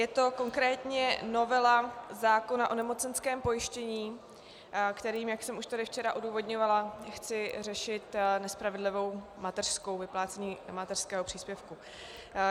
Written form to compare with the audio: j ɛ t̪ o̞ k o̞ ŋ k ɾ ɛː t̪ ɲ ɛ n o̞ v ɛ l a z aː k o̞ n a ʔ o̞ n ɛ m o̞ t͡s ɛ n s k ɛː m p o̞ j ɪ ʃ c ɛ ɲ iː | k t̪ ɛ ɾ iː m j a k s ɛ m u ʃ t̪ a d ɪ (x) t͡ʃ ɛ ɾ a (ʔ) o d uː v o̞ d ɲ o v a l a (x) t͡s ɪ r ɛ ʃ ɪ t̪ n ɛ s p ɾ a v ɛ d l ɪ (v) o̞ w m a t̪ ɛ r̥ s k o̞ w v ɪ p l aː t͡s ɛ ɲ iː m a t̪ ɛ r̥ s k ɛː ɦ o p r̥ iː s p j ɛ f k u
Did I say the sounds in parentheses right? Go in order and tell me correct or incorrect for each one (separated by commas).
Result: incorrect, correct, correct, correct